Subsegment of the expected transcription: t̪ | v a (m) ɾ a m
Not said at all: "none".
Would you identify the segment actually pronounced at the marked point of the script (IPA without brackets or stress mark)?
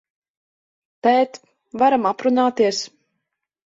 none